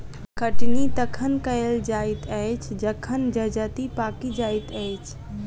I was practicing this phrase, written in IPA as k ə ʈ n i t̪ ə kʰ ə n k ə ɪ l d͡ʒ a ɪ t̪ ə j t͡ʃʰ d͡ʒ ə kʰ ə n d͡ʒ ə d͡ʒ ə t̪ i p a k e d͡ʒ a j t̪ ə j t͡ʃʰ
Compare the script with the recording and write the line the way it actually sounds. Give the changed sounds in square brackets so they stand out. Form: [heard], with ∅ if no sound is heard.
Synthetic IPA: k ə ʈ n i t̪ ə kʰ ə n k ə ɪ l d͡ʒ a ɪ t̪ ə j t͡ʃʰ d͡ʒ ə kʰ ə n d͡ʒ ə d͡ʒ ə t̪ i p a k [i] d͡ʒ a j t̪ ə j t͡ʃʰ